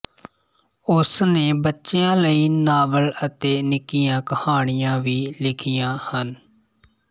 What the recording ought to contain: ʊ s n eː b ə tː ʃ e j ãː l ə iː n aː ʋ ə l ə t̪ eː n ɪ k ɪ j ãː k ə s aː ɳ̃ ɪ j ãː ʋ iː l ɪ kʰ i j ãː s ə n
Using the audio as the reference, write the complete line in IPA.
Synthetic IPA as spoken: ʊ s n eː b ə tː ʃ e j ãː l ə iː n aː ʋ ə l ə t̪ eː n ɪ k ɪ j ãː k ə h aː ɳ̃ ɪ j ãː ʋ iː l ɪ kʰ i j ãː h ə n

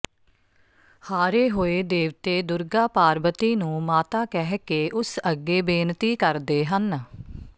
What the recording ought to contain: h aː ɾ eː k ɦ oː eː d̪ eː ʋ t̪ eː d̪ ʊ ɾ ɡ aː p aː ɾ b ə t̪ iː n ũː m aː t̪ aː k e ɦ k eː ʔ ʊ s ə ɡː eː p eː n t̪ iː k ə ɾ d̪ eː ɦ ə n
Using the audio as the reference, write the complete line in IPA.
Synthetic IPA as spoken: h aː ɾ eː ɦ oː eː d̪ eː ʋ t̪ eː d̪ ʊ ɾ ɡ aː p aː ɾ b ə t̪ iː n ũː m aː t̪ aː k ɛ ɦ k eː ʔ ʊ s ə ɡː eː b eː n t̪ iː k ə ɾ d̪ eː ɦ ə n

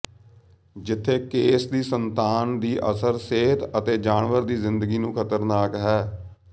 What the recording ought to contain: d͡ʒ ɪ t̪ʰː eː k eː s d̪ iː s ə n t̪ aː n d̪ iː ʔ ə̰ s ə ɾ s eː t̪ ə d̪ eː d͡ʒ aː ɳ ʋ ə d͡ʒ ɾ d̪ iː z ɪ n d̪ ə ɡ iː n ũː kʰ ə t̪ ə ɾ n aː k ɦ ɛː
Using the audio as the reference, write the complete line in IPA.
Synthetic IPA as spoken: d͡ʒ ɪ t̪ʰː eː k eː s d̪ iː s ə n t̪ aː n d̪ iː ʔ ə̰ s ə ɾ s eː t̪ ə t̪ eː d͡ʒ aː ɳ ʋ ə ɾ d̪ iː z ɪ n d̪ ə ɡ iː n ũː kʰ ə t̪ ə ɾ n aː k ɦ ɛː

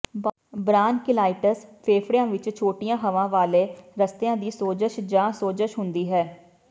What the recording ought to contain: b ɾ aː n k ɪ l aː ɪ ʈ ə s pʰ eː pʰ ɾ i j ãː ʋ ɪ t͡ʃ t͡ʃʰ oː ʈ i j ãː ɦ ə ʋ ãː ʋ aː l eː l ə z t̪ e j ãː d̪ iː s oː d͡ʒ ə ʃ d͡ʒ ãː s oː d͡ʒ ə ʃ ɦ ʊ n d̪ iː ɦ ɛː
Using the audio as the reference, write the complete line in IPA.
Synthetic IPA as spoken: b ɾ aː n k ɪ l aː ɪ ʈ ə s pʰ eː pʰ ɾ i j ãː ʋ ɪ t͡ʃ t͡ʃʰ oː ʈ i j ãː ɦ ə ʋ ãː ʋ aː l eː ɾ ə s t̪ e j ãː d̪ iː s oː d͡ʒ ə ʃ d͡ʒ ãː s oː d͡ʒ ə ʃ ɦ ʊ n d̪ iː ɦ ɛː

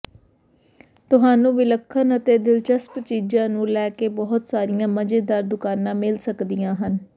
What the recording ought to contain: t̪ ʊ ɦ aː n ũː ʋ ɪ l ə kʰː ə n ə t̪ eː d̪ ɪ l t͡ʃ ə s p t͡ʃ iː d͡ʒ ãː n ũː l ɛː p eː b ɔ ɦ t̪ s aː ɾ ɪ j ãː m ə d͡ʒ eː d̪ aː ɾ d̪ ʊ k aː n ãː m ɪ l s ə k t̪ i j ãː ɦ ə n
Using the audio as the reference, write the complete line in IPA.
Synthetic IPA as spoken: t̪ ʊ ɦ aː n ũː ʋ ɪ l ə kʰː ə n ə t̪ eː d̪ ɪ l t͡ʃ ə s p t͡ʃ iː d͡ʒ ãː n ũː l ɛː k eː b ɔ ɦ t̪ s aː ɾ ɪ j ãː m ə d͡ʒ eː d̪ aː ɾ d̪ ʊ k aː n ãː m ɪ l s ə k d̪ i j ãː ɦ ə n

